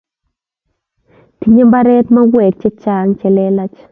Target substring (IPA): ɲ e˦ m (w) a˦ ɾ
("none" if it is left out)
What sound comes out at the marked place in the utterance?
b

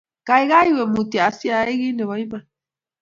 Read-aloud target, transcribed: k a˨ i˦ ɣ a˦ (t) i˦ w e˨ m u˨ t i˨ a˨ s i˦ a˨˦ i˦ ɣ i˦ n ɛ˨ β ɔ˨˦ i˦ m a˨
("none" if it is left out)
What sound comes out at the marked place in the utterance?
none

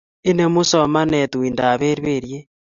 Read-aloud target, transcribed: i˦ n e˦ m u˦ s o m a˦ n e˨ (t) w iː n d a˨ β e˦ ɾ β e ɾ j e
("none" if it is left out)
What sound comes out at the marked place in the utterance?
t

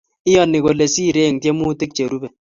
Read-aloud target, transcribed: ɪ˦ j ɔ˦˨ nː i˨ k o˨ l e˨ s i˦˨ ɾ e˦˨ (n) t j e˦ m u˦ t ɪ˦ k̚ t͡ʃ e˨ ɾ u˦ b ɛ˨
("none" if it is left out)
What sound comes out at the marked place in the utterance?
ŋ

